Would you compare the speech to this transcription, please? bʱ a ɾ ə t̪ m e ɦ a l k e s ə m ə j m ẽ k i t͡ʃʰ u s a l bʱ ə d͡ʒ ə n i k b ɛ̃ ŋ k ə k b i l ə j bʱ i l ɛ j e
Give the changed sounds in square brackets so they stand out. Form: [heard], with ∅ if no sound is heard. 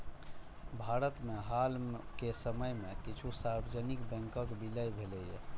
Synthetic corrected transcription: bʱ a ɾ ə t̪ m e ɦ a l k e s ə m ə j m [e] k i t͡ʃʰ u s a [ɾ] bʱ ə d͡ʒ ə n i k b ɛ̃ ŋ k ə k b i l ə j bʱ [e] l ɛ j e